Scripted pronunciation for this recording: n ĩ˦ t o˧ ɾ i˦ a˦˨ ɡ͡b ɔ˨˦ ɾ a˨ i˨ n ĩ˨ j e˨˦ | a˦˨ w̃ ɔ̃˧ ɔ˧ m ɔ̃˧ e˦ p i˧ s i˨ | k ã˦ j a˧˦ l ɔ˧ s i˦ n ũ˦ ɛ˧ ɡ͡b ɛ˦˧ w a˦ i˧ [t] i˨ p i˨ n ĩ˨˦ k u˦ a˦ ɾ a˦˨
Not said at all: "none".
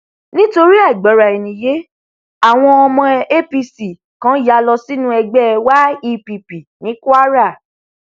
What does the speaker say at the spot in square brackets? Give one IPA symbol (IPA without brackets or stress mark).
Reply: p